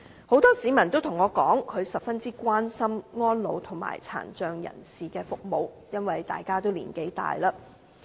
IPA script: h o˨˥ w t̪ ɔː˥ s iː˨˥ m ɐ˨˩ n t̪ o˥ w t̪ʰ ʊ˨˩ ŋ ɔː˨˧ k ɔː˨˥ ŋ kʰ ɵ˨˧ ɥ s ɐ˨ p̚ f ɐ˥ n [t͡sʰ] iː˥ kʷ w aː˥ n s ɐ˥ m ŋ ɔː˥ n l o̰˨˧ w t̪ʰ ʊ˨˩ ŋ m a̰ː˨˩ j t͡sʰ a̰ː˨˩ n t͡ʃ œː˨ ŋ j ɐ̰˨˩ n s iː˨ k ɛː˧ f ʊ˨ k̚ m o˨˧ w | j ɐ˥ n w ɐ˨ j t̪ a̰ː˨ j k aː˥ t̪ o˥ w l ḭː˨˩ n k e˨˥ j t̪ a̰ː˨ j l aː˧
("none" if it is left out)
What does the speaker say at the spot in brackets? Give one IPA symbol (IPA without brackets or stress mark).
t͡s